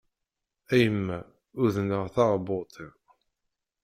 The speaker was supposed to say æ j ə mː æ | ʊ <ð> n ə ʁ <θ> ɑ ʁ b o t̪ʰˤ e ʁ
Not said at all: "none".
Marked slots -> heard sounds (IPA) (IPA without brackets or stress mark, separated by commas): ð, θ